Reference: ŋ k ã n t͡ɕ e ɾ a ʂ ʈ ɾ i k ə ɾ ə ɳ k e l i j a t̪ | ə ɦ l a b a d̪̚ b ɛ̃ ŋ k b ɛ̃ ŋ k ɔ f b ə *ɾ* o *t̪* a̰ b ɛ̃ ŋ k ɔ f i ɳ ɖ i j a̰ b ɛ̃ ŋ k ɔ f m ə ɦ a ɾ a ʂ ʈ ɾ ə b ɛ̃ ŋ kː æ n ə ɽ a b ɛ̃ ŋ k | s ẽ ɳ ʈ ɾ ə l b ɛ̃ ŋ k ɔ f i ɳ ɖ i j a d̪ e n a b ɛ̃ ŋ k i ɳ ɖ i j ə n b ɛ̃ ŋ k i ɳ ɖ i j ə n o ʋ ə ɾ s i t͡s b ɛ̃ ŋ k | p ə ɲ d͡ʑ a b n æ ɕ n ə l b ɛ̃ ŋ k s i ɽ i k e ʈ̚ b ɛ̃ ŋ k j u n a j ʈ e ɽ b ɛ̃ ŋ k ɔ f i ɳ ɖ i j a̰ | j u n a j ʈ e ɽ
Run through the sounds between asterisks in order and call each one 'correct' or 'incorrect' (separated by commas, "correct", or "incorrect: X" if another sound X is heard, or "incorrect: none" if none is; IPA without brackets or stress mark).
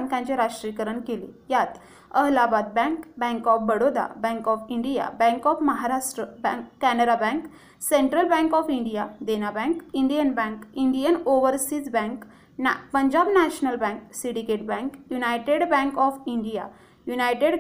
incorrect: ɽ, incorrect: d̪